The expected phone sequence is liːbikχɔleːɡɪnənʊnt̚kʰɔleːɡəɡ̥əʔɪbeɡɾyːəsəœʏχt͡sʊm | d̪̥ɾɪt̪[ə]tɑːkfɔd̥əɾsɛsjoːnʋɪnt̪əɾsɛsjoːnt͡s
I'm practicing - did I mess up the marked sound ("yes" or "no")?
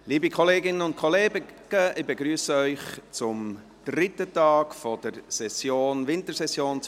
no